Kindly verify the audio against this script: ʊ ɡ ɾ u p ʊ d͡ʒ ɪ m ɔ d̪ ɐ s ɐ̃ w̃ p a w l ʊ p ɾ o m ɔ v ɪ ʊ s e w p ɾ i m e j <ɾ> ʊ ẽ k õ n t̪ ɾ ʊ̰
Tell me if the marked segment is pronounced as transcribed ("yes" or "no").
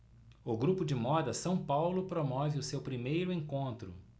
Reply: yes